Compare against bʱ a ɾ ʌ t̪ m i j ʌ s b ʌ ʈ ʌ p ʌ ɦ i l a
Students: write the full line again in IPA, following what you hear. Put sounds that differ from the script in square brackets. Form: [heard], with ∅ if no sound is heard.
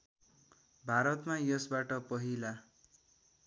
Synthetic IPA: bʱ a ɾ ʌ t̪ m [a] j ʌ s b [a] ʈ ʌ p ʌ ɦ i l a